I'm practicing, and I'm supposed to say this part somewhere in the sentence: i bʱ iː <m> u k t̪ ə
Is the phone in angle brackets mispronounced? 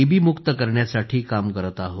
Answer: no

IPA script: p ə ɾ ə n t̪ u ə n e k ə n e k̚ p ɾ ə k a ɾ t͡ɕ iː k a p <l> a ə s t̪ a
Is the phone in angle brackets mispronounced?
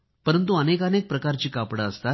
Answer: yes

